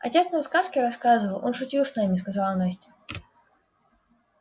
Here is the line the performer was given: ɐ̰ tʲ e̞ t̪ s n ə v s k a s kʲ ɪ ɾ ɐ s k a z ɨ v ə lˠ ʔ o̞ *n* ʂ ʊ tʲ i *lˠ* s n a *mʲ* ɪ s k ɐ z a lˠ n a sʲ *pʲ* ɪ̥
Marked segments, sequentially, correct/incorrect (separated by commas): correct, correct, correct, incorrect